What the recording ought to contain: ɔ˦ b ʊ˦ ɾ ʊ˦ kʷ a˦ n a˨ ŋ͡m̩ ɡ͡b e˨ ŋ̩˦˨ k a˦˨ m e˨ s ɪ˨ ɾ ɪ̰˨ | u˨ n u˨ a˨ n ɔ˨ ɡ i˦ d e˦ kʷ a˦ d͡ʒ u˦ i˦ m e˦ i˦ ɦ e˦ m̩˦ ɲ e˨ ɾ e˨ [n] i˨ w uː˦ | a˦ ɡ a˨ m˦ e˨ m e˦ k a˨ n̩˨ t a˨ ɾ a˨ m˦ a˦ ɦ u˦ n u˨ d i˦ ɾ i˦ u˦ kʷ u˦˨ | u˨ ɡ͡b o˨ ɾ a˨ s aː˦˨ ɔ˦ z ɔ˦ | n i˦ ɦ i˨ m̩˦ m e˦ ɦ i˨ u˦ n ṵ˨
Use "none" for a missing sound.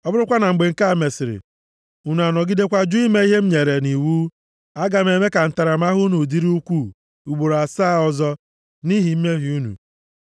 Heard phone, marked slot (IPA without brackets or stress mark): n